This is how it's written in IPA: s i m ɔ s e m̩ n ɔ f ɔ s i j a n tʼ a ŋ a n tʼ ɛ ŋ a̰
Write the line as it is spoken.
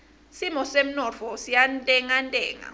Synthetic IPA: s i m ɔ s e m̩ n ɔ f ɔ s i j a n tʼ ɛ ŋ a n tʼ ɛː ŋ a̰